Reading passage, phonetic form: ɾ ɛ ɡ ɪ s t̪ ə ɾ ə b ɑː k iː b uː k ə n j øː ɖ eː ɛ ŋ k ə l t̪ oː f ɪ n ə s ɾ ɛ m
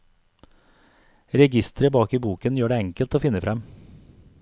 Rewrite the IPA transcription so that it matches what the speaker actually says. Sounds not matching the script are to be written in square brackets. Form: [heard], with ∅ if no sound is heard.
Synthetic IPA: ɾ ɛ ɡ ɪ s t̪ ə ɾ ə b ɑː k iː b uː k ə n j øː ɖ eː ɛ ŋ k ə l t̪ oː f ɪ n ə [f] ɾ ɛ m